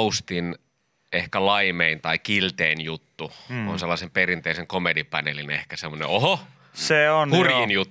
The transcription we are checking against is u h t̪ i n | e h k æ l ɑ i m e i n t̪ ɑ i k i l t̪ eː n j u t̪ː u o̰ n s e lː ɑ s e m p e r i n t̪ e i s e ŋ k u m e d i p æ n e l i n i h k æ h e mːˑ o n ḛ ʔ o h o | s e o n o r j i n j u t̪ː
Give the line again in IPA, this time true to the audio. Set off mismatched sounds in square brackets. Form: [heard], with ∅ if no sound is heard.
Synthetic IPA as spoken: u [s] t̪ i n | e h k æ l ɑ i m e i n t̪ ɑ i k i l t̪ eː n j u t̪ː u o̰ n s e lː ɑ s e m p e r i n t̪ e i s e ŋ k [o] m e d i p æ n e l i n [e] h k æ [s] e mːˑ o n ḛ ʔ o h o | s e o n [u] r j i n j u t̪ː